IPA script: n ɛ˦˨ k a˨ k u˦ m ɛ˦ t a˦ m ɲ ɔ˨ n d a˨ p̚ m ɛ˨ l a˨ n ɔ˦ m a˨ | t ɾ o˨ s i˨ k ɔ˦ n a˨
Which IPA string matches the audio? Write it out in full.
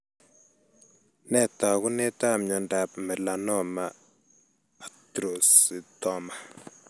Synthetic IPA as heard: n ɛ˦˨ t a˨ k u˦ n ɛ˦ t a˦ m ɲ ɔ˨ n d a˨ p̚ m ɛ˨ l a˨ n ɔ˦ m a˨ | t ɾ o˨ s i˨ t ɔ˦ m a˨